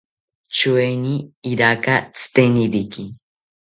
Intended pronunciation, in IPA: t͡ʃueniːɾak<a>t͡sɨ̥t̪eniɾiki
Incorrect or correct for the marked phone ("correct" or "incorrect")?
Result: correct